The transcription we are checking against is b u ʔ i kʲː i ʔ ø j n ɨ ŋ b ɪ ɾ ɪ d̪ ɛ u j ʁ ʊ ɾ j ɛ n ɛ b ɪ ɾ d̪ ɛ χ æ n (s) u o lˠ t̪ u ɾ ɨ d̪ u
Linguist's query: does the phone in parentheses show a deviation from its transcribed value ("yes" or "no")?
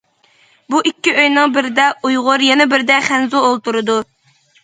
yes